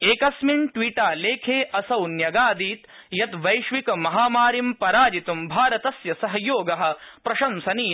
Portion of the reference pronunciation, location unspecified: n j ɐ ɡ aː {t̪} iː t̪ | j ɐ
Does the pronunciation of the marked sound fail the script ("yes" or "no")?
yes